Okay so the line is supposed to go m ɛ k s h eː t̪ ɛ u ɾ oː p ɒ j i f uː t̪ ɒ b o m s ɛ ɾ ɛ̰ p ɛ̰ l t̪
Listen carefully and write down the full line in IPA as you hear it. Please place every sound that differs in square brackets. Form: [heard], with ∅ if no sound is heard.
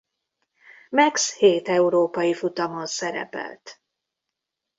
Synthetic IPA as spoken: m ɛ k s h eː t̪ ɛ u ɾ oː p ɒ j i f [u] t̪ ɒ [m] o [n] s ɛ ɾ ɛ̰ p ɛ̰ l t̪